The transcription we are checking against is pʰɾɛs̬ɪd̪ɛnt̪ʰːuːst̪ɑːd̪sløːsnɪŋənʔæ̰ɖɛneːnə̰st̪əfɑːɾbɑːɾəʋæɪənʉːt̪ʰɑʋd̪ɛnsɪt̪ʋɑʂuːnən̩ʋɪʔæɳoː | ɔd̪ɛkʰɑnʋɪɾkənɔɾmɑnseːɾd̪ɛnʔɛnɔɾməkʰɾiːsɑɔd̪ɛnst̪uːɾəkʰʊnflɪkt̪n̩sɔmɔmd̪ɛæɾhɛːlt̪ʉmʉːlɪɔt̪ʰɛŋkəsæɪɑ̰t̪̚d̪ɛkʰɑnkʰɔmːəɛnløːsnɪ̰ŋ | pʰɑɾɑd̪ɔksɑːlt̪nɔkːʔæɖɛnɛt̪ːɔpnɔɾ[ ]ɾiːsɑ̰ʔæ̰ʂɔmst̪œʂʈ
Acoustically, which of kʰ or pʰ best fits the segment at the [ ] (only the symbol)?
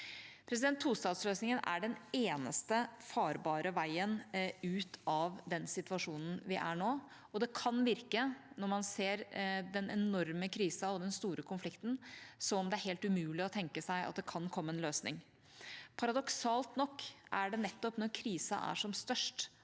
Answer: kʰ